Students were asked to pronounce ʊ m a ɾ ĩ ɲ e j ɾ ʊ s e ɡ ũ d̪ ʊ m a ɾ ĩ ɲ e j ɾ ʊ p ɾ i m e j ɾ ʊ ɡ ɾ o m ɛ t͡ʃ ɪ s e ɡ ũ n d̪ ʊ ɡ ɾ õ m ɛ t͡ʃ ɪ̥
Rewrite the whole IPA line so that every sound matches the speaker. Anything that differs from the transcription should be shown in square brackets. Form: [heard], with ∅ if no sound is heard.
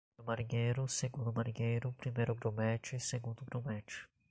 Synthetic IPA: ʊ m a ɾ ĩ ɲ e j ɾ ʊ s e ɡ ũ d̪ ʊ m a ɾ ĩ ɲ e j ɾ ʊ p ɾ i m e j ɾ ʊ ɡ ɾ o m ɛ t͡ʃ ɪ s e ɡ ũ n d̪ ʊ ɡ ɾ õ m ɛ t͡ʃ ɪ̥

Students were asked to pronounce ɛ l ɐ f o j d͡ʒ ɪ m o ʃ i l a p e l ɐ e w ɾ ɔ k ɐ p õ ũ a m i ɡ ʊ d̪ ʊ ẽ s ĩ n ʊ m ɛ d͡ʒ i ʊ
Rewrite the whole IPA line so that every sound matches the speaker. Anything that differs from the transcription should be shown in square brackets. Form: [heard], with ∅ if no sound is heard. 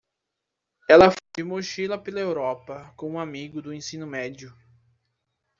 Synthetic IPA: ɛ l ɐ f o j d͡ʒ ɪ m o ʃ i l [ɐ] p e l ɐ e w ɾ ɔ [p] ɐ [k] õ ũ a m i ɡ ʊ d̪ ʊ ẽ s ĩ n ʊ m ɛ d͡ʒ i ʊ

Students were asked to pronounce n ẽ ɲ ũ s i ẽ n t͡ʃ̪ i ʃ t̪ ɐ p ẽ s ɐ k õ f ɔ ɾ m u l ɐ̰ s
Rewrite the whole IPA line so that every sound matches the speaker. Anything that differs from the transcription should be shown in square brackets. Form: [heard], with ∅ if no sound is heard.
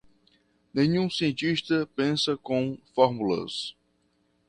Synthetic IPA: n ẽ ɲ ũ s i ẽ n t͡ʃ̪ i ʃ t̪ ɐ p ẽ s ɐ k õ f ɔ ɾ m u l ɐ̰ s

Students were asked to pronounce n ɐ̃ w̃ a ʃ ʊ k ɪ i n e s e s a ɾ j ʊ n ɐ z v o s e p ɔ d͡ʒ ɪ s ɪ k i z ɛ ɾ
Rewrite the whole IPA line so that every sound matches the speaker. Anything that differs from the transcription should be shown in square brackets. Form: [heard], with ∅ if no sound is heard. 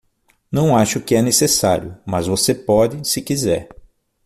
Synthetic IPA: n ɐ̃ w̃ a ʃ ʊ k ɪ [ɛ] n e s e s a ɾ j ʊ [m] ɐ z v o s e p ɔ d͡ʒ ɪ s ɪ k i z ɛ ɾ

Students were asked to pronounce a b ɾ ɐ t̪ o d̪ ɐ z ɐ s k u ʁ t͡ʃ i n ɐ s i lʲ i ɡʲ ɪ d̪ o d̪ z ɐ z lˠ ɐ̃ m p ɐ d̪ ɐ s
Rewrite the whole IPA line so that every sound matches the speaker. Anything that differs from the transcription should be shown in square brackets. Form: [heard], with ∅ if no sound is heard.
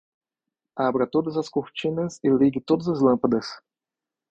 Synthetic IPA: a b ɾ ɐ t̪ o d̪ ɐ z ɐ s k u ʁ t͡ʃ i n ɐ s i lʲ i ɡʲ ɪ [t̪] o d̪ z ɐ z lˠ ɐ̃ m p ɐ d̪ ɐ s

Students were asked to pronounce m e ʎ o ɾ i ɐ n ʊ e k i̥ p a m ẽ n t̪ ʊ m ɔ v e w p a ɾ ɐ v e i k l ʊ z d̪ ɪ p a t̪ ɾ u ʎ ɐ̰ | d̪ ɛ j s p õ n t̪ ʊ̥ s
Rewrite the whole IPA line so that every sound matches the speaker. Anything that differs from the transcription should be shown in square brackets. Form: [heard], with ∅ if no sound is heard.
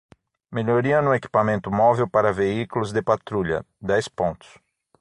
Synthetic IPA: m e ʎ o ɾ i ɐ n ʊ e k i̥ p a m ẽ n t̪ ʊ m ɔ v e w p a ɾ ɐ v e i k l ʊ z d̪ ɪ p a t̪ ɾ u ʎ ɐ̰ | d̪ ɛ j s p õ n t̪ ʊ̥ s

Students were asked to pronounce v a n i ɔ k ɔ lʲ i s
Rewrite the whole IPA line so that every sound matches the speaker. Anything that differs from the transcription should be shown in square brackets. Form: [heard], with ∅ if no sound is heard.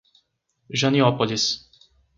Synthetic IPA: [ʒ] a n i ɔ [p] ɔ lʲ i s

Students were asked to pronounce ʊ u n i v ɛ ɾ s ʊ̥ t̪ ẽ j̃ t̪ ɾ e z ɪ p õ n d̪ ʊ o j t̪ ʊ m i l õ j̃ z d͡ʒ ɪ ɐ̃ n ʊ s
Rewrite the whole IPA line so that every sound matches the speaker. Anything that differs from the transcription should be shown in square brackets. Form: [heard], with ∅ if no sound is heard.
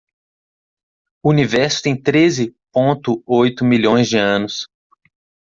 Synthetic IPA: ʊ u n i v ɛ ɾ s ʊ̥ t̪ ẽ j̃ t̪ ɾ e z ɪ p õ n [t̪] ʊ o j t̪ ʊ m i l õ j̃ z d͡ʒ ɪ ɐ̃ n ʊ s

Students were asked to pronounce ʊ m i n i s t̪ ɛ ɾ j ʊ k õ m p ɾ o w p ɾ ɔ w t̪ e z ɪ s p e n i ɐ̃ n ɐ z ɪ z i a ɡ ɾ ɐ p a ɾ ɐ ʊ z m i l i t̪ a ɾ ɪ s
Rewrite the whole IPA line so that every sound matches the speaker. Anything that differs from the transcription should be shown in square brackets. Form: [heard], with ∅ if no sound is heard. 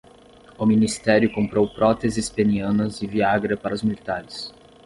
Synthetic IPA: ʊ m i n i s t̪ ɛ ɾ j ʊ k õ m p ɾ o w p ɾ ɔ [∅] t̪ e z ɪ s p e n i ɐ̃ n ɐ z ɪ [v] i a ɡ ɾ ɐ p a ɾ ɐ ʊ z m i l i t̪ a ɾ ɪ s

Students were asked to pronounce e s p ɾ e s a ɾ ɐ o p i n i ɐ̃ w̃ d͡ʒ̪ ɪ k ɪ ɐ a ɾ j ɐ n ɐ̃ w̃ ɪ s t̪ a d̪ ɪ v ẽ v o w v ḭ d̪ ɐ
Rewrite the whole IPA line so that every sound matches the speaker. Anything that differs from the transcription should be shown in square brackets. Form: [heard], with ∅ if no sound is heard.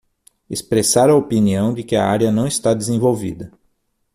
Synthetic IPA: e s p ɾ e s a ɾ ɐ o p i n i ɐ̃ w̃ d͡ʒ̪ ɪ k ɪ ɐ a ɾ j ɐ n ɐ̃ w̃ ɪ s t̪ a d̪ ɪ [z] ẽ v o w v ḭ d̪ ɐ

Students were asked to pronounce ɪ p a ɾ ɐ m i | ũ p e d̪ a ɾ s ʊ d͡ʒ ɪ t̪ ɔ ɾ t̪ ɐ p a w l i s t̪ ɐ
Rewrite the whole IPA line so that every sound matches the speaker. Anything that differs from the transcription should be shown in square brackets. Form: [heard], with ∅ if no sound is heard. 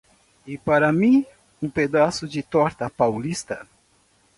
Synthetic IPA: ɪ p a ɾ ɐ m [ĩ] | ũ p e d̪ a [∅] s ʊ d͡ʒ ɪ t̪ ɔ ɾ t̪ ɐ p a w l i s t̪ ɐ

